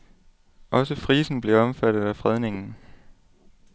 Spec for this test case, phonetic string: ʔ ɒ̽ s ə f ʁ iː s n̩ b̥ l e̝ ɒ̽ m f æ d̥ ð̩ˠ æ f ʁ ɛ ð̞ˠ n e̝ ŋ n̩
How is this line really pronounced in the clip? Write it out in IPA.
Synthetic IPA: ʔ ɒ̽ s ə f ʁ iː s n̩ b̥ l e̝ ɒ̽ m f æ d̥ ð̩ˠ æ f ʁ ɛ ð̞ˠ n e̝ ŋ n̩